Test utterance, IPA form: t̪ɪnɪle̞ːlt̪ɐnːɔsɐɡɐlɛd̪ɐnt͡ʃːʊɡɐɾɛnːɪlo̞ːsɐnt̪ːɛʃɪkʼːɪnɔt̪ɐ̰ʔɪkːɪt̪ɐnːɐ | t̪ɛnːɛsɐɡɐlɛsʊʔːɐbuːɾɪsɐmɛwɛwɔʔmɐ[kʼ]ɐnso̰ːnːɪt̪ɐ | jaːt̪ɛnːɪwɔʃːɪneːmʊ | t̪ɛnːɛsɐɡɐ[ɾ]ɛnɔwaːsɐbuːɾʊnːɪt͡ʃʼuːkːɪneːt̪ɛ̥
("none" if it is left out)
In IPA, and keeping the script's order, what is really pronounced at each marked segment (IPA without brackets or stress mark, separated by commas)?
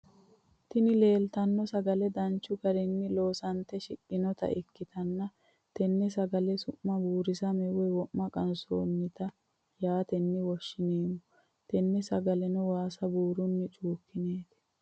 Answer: kʼ, l